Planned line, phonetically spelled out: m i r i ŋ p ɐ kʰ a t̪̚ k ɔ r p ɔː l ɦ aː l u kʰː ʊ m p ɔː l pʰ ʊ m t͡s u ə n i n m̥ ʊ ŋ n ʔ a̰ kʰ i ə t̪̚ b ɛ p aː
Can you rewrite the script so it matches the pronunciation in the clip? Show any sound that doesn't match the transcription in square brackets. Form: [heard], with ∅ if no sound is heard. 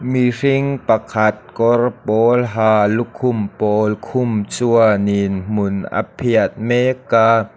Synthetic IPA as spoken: m i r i ŋ p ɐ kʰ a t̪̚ k ɔ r p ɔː l ɦ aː l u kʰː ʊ m p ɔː l [kʰ] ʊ m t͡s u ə n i n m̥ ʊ [∅] n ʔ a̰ [pʰ] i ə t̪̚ [m] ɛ [k] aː